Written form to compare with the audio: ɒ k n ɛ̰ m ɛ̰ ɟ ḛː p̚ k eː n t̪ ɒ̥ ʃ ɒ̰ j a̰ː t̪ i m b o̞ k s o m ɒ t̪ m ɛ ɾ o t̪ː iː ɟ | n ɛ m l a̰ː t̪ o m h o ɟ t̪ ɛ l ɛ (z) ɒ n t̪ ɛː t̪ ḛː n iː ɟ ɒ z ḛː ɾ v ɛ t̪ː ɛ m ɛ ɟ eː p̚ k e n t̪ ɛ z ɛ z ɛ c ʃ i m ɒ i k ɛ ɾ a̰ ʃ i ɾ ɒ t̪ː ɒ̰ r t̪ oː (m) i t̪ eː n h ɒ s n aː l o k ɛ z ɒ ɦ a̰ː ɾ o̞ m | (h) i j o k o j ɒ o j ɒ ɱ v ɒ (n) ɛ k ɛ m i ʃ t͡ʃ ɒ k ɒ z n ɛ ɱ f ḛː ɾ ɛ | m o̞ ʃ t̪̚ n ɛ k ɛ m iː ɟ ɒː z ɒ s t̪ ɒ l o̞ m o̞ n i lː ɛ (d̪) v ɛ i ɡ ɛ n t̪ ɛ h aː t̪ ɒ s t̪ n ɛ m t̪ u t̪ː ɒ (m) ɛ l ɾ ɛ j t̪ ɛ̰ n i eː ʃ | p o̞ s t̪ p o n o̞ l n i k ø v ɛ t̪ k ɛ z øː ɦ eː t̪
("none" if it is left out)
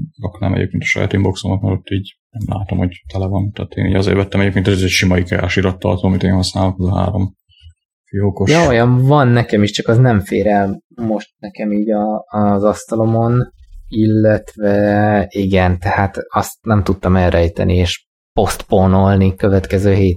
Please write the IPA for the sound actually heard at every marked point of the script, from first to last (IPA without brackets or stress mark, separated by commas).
v, m, f, nː, t̪, m